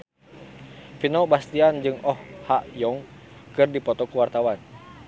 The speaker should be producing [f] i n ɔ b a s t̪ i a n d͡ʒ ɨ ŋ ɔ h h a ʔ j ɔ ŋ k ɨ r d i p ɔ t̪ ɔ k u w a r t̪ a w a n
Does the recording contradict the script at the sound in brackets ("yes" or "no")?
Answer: no